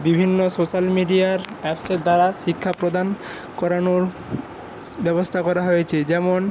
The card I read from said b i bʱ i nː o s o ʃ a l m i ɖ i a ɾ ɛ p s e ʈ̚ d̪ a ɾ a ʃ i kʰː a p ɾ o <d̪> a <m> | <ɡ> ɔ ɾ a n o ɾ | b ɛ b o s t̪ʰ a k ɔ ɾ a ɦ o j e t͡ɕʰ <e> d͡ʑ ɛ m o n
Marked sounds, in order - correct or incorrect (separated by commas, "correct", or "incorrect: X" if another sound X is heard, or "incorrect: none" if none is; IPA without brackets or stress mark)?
correct, incorrect: n, incorrect: k, correct